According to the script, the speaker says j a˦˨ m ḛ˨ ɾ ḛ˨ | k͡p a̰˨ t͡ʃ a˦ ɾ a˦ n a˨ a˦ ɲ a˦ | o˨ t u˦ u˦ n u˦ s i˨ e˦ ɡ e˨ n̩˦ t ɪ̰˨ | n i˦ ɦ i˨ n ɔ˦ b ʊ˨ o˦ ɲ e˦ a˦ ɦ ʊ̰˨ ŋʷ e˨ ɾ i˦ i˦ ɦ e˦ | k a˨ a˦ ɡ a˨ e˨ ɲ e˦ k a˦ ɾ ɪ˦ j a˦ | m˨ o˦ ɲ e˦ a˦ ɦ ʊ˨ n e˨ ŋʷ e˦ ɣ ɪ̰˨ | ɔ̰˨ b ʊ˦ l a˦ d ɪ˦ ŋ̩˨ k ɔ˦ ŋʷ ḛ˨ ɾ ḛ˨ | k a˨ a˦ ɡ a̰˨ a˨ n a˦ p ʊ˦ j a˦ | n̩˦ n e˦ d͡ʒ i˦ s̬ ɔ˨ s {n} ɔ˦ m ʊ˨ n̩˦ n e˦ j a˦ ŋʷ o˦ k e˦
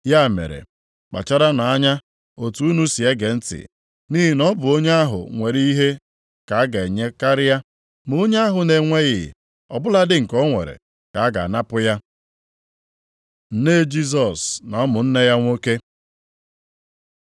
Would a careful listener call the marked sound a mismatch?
no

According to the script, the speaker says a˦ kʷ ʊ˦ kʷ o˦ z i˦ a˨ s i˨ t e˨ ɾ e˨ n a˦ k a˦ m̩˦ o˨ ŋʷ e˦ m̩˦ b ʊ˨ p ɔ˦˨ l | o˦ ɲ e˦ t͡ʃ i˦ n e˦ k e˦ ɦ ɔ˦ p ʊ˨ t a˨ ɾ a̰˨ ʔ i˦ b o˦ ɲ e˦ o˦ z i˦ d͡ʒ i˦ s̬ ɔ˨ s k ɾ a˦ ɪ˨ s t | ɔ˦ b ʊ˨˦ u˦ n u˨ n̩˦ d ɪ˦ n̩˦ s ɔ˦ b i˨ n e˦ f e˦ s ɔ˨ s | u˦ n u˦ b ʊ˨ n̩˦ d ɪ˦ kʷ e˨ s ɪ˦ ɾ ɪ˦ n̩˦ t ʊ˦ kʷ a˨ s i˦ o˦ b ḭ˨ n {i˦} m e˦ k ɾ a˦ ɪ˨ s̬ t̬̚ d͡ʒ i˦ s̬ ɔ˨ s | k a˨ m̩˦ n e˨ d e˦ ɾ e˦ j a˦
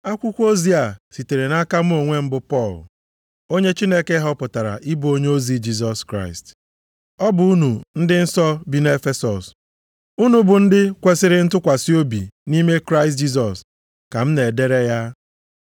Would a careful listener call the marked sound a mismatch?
no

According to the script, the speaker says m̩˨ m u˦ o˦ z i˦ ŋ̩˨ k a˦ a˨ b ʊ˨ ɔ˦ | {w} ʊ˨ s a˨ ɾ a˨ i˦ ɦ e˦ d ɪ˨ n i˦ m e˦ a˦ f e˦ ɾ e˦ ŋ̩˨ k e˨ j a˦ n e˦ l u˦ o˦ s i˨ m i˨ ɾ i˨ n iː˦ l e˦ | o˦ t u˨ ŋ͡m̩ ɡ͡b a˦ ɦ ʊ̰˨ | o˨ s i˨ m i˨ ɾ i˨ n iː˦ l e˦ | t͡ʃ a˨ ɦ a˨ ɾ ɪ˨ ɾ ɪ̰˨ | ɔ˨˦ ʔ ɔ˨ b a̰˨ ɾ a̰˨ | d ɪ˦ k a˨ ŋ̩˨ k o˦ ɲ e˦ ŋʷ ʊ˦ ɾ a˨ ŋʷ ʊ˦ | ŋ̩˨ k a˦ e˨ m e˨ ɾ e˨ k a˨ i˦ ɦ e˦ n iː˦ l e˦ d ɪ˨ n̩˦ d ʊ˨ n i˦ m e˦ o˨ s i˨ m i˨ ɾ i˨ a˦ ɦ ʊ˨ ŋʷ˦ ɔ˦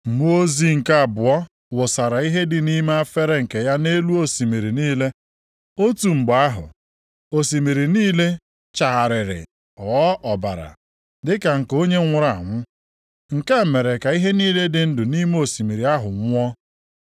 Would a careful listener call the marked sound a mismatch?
no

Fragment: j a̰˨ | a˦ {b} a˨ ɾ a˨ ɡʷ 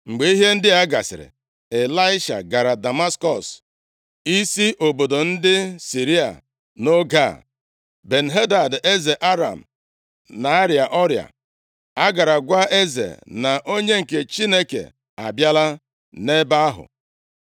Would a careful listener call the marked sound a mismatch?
yes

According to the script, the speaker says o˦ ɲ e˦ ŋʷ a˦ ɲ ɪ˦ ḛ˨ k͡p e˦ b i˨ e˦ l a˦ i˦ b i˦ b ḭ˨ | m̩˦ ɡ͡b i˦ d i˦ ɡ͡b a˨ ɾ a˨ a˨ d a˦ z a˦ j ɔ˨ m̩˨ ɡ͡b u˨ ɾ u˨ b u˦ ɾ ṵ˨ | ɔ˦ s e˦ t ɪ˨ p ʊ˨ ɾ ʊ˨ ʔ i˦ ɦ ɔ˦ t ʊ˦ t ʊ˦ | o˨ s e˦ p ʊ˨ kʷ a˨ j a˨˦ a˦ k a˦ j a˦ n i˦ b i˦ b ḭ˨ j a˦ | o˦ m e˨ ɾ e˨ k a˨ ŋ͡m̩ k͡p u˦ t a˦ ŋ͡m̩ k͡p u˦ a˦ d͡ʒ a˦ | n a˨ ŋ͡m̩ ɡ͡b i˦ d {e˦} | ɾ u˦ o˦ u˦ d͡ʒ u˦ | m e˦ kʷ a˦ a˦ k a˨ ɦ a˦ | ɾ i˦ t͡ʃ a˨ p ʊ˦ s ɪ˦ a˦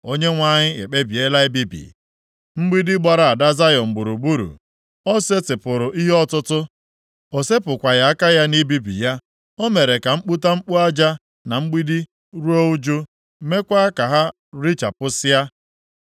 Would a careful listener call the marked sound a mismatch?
yes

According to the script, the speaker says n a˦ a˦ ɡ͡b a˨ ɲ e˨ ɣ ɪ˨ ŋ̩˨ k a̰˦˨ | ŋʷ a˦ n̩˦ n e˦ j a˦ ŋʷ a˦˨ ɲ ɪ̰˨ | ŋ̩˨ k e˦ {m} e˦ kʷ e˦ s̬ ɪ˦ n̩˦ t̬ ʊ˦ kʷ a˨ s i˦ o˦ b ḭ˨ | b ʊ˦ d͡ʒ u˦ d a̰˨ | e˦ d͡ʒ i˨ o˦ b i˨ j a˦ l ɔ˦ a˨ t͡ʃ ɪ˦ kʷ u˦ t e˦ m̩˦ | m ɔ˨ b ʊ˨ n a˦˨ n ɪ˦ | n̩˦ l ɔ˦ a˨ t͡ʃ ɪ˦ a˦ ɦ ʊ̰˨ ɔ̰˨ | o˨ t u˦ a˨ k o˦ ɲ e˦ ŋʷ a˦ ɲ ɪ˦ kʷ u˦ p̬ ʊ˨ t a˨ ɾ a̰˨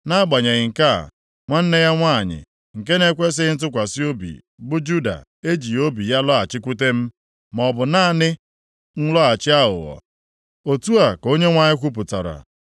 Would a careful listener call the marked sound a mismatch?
yes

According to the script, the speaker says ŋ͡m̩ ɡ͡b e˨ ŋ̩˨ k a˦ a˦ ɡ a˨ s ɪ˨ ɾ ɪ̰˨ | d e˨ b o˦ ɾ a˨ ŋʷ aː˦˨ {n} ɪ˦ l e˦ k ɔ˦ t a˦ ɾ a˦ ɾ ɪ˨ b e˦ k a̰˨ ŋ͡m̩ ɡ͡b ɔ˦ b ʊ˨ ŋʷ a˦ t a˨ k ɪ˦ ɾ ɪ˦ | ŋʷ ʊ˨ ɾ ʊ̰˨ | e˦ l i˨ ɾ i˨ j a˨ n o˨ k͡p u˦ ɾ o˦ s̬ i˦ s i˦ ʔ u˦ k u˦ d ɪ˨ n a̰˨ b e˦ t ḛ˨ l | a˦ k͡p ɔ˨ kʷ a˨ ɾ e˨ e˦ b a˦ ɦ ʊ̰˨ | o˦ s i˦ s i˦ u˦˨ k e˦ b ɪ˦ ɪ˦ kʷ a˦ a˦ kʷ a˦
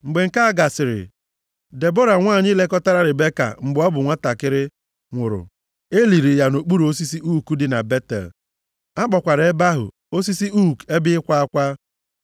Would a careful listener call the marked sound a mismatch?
yes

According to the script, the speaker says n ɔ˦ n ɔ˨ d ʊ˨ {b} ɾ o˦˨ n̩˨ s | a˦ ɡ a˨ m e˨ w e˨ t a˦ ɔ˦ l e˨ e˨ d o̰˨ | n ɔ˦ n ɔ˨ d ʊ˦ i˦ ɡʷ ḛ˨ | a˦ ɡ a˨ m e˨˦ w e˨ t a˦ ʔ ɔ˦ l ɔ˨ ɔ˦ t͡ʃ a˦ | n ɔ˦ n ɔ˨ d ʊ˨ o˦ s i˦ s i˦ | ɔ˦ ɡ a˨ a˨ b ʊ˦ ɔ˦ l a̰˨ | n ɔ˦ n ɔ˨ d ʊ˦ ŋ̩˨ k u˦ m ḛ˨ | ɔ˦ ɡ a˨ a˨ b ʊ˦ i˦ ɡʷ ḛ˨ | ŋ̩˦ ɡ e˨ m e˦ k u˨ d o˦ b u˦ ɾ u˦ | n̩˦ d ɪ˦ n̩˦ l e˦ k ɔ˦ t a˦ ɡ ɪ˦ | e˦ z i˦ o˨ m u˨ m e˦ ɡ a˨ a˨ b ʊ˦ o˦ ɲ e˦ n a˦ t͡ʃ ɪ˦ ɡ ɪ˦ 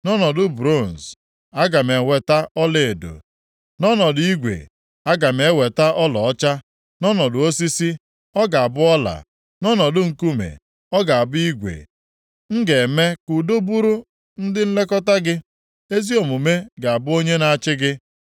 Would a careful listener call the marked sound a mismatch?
no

